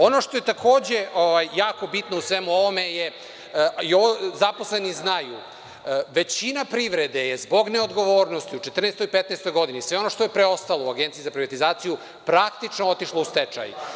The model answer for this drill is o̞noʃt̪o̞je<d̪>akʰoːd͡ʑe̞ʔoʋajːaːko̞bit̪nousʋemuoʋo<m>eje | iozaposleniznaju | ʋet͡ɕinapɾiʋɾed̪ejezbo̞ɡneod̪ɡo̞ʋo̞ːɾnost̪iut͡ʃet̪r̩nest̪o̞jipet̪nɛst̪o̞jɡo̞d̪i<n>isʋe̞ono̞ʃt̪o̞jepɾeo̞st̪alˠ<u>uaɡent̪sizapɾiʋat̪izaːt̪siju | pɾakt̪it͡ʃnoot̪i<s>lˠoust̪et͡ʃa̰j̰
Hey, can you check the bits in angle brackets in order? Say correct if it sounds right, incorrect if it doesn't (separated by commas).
incorrect, correct, correct, incorrect, incorrect